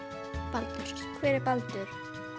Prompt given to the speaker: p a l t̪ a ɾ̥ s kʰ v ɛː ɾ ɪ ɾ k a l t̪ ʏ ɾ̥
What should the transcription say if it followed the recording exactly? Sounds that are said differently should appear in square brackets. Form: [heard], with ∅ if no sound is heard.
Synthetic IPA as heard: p a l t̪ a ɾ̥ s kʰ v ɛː ɾ ɪ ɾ [p] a l t̪ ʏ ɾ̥